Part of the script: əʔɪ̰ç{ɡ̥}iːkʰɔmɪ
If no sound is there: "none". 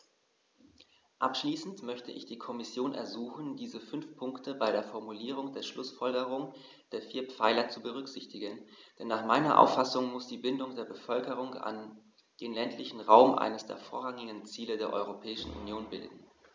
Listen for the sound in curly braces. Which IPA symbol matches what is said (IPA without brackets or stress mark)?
d̥